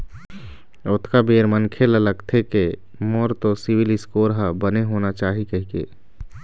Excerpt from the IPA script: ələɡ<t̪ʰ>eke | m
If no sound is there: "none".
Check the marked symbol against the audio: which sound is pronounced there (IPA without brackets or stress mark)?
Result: t̪ʰ